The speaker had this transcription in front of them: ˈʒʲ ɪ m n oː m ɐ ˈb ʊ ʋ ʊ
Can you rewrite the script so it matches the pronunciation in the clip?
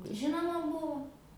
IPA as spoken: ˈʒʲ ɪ n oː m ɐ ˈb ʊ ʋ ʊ